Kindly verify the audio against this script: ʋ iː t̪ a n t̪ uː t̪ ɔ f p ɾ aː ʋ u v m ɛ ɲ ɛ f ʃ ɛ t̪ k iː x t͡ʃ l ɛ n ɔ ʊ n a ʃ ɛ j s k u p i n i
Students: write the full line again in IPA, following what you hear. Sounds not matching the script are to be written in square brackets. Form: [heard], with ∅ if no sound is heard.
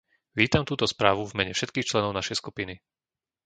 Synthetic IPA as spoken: ʋ iː t̪ a [m] t̪ uː t̪ ɔ [s] p ɾ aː ʋ u v m ɛ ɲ ɛ f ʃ ɛ t̪ k iː x t͡ʃ l ɛ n ɔ ʊ n a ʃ ɛ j s k u p i n i

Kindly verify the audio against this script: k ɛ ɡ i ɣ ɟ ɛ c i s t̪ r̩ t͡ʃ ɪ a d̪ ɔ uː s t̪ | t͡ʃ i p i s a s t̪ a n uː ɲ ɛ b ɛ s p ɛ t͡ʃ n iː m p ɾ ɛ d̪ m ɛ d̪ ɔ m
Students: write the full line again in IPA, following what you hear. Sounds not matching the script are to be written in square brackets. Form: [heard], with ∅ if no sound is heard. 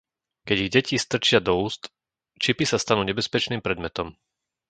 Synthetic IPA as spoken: k ɛ [ɟ] i ɣ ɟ ɛ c i s t̪ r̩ t͡ʃ ɪ a d̪ ɔ uː s t̪ | t͡ʃ i p i s a s t̪ a n uː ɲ ɛ b ɛ s p ɛ t͡ʃ n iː m p ɾ ɛ d̪ m ɛ [t̪] ɔ m

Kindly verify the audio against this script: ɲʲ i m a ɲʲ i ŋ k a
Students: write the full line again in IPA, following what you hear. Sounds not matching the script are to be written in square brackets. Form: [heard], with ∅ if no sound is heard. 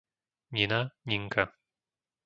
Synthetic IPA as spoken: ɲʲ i [n] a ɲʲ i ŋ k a

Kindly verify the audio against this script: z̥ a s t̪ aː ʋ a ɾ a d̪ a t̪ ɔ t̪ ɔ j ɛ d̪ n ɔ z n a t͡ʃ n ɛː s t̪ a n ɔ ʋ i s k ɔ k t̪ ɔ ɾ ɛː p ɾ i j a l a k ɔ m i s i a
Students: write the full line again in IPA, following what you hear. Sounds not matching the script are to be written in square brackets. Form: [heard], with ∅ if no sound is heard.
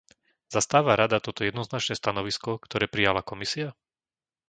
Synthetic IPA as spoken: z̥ a s t̪ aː ʋ a ɾ a d̪ a t̪ ɔ t̪ ɔ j ɛ d̪ n ɔ z n a t͡ʃ n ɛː s t̪ a n ɔ ʋ i s k ɔ k t̪ ɔ ɾ ɛː p ɾ i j a l a k ɔ m i s i a

